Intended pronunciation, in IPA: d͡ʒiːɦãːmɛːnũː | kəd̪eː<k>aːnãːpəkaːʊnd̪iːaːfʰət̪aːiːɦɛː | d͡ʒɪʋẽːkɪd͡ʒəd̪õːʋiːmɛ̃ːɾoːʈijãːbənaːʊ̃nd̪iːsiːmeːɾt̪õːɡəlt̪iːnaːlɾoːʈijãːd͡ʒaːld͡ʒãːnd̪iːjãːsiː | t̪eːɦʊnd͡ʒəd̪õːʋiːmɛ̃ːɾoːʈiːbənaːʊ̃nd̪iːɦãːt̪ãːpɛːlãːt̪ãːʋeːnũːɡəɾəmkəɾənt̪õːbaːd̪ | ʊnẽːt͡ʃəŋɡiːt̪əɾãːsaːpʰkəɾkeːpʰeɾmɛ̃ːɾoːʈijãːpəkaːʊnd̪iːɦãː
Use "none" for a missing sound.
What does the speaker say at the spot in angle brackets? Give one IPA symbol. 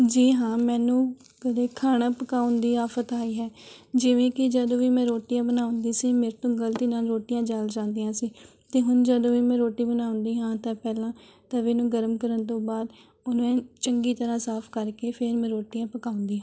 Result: kʰ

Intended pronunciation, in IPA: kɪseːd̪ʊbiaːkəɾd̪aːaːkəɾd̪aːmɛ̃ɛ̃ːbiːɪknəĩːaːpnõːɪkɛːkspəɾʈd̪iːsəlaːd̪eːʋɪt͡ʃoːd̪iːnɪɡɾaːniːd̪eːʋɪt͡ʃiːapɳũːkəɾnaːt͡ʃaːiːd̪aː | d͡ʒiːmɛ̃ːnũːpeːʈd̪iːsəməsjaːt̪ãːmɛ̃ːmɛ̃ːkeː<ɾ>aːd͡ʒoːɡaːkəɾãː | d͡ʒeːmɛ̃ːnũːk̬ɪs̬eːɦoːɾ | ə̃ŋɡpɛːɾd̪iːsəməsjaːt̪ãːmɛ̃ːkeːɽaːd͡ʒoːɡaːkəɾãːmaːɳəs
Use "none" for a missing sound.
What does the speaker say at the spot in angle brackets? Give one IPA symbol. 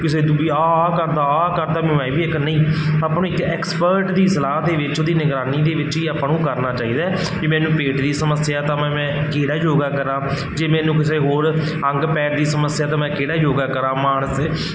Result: ɽ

